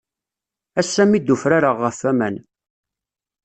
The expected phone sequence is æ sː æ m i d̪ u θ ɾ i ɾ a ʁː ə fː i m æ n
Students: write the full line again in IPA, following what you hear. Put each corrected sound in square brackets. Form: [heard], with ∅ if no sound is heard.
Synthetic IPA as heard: æ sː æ m i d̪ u [f] ɾ [a] ɾ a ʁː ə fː [æ] m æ n